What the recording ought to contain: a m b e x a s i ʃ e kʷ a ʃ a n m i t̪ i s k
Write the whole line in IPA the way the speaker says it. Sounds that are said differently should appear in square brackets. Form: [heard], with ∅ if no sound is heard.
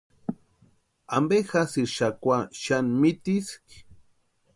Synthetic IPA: a m b e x a s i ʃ [a] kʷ a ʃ a n m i t̪ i s k

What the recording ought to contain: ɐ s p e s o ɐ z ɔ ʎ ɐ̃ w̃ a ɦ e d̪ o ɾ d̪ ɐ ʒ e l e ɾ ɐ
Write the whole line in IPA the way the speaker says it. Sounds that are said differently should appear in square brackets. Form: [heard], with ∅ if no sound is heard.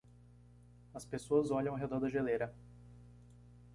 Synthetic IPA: ɐ s p e s o ɐ z ɔ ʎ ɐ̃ w̃ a ɦ e d̪ [ɔ] ɾ d̪ ɐ ʒ e l e ɾ ɐ

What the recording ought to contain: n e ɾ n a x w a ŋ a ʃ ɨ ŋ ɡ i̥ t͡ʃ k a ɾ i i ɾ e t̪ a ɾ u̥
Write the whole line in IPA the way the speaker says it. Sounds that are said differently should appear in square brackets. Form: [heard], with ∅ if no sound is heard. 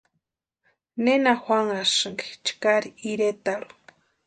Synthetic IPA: n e [∅] n a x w a ŋ a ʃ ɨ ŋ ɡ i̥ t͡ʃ k a ɾ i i ɾ e t̪ a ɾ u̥

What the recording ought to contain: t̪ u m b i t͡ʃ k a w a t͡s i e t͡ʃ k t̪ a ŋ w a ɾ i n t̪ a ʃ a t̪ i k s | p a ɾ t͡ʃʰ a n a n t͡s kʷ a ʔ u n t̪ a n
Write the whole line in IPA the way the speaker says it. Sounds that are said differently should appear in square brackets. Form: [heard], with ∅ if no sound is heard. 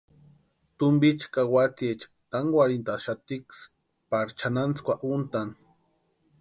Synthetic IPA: t̪ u m b i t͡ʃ k a w a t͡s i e t͡ʃ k t̪ a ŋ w a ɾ i n t̪ a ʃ a t̪ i k s | p a ɾ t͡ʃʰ a n a n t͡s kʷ a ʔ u n t̪ a n

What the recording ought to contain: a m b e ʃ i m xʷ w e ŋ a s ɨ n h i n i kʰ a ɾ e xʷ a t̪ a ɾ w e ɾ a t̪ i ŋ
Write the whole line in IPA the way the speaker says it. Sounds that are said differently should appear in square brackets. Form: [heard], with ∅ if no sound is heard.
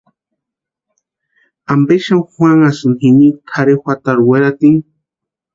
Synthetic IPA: a m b e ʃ [a] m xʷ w [a] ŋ a s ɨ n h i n i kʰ a ɾ e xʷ a t̪ a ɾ w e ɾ a t̪ i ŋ

